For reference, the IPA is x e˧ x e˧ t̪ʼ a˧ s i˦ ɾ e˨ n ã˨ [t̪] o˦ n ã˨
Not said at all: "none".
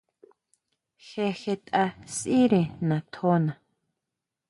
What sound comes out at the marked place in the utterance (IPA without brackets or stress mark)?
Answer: t̪ʰ